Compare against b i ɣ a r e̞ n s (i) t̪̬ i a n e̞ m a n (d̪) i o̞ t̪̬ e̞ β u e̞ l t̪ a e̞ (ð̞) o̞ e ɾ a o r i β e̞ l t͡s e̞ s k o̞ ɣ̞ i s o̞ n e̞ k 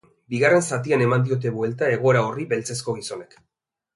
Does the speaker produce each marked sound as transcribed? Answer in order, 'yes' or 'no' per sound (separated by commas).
no, yes, no